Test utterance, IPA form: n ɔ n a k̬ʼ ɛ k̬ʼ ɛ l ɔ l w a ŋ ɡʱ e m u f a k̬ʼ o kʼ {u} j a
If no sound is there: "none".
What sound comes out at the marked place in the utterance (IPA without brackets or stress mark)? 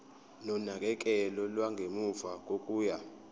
uː